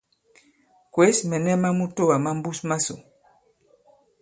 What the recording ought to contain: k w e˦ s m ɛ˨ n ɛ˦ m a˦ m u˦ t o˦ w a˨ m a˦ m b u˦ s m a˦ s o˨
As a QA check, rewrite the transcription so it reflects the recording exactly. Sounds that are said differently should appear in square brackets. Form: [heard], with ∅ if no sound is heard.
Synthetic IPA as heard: k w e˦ s m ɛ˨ n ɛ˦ m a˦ m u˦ t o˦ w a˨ m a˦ m b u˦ s m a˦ s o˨